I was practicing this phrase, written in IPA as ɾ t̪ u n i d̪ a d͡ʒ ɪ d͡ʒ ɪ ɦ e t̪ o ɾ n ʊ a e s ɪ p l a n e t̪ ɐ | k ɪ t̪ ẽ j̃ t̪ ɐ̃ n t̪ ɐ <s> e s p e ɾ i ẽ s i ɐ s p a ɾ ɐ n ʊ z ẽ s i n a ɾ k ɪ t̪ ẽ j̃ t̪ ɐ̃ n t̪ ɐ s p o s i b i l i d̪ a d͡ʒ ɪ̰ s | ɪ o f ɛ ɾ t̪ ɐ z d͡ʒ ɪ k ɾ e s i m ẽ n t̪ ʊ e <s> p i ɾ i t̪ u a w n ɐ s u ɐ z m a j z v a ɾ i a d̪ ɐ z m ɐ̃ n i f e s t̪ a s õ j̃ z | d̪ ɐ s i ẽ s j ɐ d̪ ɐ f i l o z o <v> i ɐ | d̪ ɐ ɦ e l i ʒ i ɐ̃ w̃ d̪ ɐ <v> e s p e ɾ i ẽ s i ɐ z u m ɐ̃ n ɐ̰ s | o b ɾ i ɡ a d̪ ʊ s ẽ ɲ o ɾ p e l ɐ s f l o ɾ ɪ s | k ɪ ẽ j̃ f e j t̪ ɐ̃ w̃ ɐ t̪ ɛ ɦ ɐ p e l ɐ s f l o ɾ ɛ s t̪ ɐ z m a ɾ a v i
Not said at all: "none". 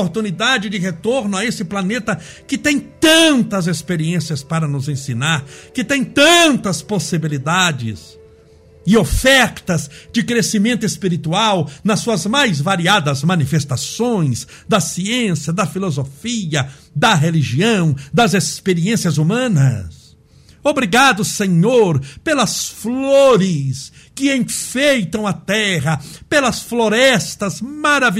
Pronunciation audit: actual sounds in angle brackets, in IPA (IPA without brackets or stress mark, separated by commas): z, s, f, z